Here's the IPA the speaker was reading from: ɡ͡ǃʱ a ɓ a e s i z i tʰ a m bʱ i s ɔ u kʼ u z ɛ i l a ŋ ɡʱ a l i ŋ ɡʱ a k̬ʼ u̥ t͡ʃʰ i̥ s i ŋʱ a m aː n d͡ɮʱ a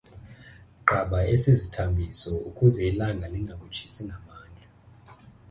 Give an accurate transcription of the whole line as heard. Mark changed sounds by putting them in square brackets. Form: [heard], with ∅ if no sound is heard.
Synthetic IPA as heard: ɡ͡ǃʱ a ɓ a e s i z i tʰ a m bʱ i s ɔ u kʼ u z ɛ i l a ŋ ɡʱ a l i ŋ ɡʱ a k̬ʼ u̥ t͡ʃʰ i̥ s i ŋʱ a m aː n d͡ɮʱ a